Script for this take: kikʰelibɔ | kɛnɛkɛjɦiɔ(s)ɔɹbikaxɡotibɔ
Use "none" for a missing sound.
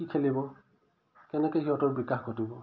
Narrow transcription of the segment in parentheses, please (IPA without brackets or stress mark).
t